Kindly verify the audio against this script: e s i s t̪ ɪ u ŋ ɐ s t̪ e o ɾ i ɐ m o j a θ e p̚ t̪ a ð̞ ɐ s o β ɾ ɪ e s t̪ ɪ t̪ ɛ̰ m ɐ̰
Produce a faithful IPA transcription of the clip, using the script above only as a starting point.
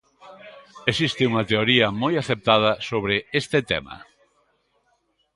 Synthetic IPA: e s i s t̪ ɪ u ŋ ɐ t̪ e o ɾ i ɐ m o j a θ e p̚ t̪ a ð̞ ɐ s o β ɾ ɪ e s t̪ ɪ t̪ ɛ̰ m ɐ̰